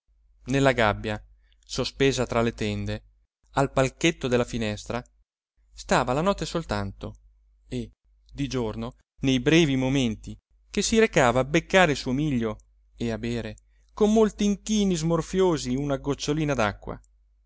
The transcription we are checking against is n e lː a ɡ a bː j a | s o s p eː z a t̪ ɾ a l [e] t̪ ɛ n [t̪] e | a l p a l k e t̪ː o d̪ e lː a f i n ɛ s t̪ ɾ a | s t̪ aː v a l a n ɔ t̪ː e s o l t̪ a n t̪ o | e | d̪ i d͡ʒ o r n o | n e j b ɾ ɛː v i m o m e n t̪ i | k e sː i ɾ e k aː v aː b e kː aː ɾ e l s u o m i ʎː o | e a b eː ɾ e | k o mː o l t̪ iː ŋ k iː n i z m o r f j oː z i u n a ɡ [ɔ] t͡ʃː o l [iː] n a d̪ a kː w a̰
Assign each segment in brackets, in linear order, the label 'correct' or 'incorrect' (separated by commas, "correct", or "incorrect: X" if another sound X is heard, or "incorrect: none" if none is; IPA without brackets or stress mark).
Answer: correct, incorrect: d̪, incorrect: o, correct